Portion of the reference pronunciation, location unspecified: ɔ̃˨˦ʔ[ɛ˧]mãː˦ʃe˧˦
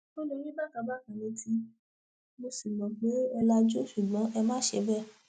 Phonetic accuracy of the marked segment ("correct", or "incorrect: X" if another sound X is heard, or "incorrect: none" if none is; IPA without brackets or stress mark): correct